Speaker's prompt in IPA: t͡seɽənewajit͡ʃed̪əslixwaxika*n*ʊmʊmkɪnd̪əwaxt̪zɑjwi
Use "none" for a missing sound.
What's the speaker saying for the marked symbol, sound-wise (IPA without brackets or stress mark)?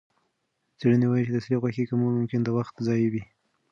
m